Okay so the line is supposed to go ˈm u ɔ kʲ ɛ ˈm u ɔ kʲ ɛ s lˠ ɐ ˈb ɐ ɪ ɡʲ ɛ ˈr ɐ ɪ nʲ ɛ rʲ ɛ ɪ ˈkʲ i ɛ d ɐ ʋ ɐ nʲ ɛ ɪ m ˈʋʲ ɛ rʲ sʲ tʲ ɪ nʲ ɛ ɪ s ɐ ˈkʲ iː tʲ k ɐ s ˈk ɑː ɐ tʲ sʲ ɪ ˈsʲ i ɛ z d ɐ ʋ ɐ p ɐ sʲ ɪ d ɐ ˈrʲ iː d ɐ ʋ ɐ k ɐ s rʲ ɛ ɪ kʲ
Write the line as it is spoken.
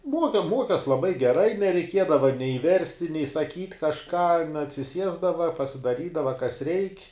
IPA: ˈm u ɔ kʲ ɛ ˈm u ɔ kʲ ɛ s lˠ ɐ ˈb ɐ ɪ ɡʲ ɛ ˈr ɐ ɪ nʲ ɛ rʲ ɛ ɪ ˈkʲ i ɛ d ɐ ʋ ɐ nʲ ɛ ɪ ˈʋʲ ɛ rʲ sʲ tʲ ɪ nʲ ɛ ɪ s ɐ ˈkʲ iː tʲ k ɐ ʃ ˈk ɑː ɐ tʲ sʲ ɪ ˈsʲ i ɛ z d ɐ ʋ ɐ p ɐ sʲ ɪ d ɐ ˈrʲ iː d ɐ ʋ ɐ k ɐ s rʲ ɛ ɪ kʲ